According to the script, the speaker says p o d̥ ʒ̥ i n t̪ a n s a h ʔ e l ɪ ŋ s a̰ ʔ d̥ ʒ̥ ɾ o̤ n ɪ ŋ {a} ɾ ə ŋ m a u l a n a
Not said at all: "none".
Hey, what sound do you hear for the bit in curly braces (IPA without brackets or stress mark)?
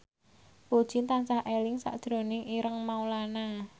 i